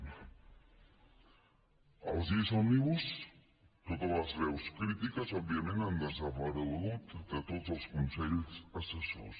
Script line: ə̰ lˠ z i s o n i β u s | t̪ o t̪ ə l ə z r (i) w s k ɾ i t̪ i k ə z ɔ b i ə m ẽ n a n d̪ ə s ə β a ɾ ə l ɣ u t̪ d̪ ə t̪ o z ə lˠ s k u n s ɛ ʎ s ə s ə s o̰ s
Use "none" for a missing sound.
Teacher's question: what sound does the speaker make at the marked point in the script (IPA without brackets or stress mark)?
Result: ɛ